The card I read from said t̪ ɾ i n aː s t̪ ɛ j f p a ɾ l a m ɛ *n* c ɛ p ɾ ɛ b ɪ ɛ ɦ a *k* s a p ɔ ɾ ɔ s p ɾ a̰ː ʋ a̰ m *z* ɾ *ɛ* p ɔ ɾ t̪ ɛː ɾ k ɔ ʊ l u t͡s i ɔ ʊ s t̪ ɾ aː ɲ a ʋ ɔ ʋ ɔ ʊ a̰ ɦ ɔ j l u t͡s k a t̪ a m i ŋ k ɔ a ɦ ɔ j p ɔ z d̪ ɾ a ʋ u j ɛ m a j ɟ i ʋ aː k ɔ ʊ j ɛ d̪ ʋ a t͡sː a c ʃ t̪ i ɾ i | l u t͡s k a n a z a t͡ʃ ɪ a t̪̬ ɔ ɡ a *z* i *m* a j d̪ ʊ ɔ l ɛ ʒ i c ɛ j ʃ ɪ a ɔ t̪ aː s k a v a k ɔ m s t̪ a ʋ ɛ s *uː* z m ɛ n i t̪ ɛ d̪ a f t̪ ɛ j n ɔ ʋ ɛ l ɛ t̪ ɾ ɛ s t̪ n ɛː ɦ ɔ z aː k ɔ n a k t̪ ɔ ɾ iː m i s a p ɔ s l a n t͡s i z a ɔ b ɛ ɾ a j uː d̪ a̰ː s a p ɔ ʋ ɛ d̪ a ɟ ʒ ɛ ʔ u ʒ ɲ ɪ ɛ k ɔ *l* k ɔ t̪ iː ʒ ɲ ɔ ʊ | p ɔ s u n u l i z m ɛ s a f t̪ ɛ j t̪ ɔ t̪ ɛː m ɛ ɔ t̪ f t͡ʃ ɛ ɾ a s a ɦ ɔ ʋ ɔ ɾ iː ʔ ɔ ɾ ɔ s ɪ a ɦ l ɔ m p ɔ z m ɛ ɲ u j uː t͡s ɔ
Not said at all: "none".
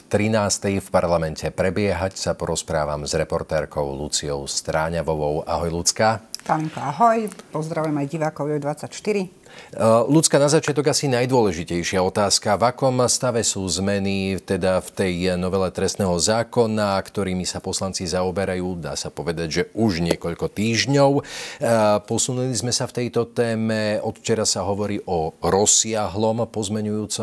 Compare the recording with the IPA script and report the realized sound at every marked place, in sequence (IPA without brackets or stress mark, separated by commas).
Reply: n, c, z, ɛ, s, n, uː, ʎ